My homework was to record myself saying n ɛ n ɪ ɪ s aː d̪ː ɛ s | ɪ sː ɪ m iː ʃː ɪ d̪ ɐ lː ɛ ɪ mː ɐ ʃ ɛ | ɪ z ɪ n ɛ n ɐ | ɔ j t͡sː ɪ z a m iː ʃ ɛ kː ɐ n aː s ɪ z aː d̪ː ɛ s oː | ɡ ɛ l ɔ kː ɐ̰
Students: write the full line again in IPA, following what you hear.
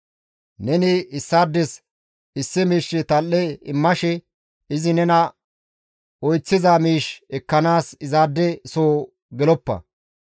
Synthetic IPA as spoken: n ɛ n ɪ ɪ sː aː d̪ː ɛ s | ɪ sː ɪ m iː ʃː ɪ t̪ ɐ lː ɛ ɪ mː ɐ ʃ ɛ | ɪ z ɪ n ɛ n ɐ | ɔ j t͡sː ɪ z a m iː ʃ ɛ kː ɐ n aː s ɪ z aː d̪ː ɛ s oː | ɡ ɛ l ɔ pː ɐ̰